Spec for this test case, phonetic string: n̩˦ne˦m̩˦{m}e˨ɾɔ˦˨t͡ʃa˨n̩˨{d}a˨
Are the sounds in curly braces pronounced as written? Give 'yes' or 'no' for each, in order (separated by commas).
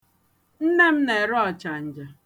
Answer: no, no